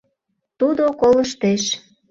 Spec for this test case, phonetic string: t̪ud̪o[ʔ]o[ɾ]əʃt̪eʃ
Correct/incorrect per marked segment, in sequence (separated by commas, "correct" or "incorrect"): incorrect, incorrect